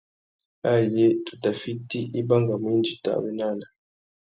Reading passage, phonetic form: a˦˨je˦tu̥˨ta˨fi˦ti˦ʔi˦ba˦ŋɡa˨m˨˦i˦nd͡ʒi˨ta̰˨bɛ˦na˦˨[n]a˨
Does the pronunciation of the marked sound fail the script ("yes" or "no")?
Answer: no